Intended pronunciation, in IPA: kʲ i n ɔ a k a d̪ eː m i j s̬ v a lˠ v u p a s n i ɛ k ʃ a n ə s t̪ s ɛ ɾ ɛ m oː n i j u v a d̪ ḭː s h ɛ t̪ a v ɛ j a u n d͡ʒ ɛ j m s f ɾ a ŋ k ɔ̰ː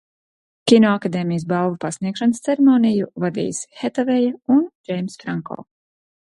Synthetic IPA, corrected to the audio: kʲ i n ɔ a k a d̪ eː m i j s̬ b a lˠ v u p a s n i ɛ k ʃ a n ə s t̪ s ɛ ɾ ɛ m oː n i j u v a d̪ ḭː s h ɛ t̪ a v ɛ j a u n d͡ʒ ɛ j m s f ɾ a ŋ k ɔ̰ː